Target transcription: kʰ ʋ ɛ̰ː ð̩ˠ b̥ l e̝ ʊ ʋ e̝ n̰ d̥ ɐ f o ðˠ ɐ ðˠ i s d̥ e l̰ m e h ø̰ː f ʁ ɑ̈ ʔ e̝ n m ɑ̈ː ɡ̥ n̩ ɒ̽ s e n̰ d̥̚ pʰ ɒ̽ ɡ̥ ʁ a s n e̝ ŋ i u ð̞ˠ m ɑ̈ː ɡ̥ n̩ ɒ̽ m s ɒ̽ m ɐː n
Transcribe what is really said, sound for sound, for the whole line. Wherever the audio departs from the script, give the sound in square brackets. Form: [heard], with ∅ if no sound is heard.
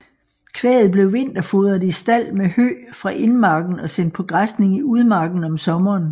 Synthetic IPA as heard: kʰ ʋ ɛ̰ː ð̩ˠ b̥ l e̝ ʊ ʋ e̝ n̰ d̥ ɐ f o ðˠ ɐ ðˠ i s d̥ [æ] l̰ m e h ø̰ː f ʁ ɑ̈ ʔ e̝ n m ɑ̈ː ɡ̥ n̩ ɒ̽ s e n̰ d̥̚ pʰ ɒ̽ ɡ̥ ʁ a s n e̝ ŋ i u ð̞ˠ m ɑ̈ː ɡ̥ n̩ ɒ̽ m s ɒ̽ m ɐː n